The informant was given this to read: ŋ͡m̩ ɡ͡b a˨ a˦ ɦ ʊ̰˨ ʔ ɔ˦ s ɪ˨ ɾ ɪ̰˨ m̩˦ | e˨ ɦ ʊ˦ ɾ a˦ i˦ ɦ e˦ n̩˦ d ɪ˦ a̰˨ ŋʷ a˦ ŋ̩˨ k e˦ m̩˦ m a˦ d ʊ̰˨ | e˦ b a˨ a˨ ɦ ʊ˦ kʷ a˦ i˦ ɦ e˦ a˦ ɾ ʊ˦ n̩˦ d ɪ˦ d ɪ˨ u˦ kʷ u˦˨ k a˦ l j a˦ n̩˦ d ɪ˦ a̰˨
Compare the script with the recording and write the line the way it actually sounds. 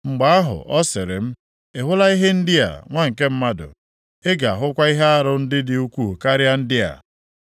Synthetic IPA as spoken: ŋ͡m̩ ɡ͡b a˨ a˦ ɦ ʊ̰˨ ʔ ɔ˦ s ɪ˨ ɾ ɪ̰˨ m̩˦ | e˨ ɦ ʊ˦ l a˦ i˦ ɦ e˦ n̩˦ d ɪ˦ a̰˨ ŋʷ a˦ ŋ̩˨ k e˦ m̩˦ m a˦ d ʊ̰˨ | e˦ ɡ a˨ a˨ ɦ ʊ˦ kʷ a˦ i˦ ɦ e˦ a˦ ɾ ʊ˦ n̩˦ d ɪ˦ d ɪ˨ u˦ kʷ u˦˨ k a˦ ɾ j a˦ n̩˦ d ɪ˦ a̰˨